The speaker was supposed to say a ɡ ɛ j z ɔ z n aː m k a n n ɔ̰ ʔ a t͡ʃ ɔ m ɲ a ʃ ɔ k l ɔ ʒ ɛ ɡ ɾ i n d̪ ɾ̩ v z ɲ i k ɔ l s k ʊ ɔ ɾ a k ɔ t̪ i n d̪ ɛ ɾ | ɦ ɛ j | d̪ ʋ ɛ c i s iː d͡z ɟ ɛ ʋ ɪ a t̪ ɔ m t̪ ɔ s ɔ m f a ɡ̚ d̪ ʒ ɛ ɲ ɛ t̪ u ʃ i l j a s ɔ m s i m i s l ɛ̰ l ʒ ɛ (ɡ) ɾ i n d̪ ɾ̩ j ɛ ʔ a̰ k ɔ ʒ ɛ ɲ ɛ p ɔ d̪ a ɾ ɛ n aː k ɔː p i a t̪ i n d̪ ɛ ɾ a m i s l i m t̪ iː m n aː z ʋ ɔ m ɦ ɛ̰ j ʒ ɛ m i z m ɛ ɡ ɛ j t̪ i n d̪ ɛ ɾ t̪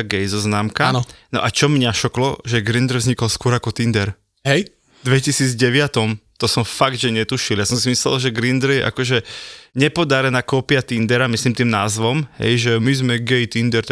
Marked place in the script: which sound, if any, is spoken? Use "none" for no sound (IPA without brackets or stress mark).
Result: ɡ